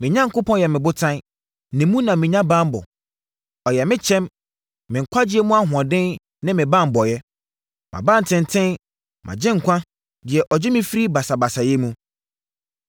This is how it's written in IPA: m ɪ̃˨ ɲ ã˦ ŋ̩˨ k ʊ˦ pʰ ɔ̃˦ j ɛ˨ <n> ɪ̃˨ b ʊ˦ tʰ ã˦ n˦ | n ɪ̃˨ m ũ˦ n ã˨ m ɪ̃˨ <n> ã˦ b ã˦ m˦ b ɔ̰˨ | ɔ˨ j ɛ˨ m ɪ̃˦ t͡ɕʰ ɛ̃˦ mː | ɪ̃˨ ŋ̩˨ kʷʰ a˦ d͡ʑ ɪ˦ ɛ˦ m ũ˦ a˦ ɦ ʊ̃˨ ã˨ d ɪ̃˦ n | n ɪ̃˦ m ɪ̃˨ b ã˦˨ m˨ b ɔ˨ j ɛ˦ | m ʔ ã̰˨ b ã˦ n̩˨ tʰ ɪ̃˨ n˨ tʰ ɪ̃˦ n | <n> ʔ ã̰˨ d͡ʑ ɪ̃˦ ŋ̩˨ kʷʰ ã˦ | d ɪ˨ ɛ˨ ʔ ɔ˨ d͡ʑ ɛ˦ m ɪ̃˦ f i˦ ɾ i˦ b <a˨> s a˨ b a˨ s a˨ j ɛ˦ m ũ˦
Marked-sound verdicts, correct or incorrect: incorrect: m, incorrect: ɲ, incorrect: m, correct

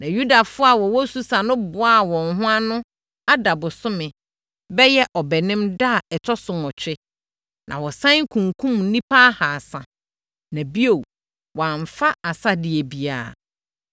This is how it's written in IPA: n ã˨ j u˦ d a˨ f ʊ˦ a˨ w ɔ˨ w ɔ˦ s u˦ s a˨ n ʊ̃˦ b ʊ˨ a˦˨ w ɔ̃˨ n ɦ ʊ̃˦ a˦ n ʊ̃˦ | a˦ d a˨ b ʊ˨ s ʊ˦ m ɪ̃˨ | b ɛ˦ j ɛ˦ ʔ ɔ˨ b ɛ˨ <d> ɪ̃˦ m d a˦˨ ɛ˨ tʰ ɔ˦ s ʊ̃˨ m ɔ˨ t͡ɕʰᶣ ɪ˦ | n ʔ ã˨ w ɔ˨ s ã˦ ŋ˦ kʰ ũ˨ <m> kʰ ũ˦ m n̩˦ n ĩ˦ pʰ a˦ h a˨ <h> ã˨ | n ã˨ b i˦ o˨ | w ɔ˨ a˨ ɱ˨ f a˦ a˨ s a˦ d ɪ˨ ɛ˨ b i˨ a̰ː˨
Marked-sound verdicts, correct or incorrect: incorrect: n, incorrect: ŋ, incorrect: s

